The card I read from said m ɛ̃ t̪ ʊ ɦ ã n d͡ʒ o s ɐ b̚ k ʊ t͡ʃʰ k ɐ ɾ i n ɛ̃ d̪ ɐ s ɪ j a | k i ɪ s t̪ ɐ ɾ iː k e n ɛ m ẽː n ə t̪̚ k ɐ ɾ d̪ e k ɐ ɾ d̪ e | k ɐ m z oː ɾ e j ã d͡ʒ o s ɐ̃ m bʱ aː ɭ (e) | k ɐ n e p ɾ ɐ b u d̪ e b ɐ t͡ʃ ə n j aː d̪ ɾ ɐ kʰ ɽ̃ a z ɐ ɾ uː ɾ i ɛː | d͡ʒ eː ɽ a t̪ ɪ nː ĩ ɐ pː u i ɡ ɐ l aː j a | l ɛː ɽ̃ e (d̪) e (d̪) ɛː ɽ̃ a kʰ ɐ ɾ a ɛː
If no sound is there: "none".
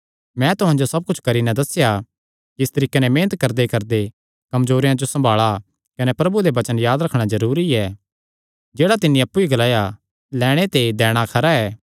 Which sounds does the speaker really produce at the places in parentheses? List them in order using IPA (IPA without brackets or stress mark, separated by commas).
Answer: a, t̪, d̪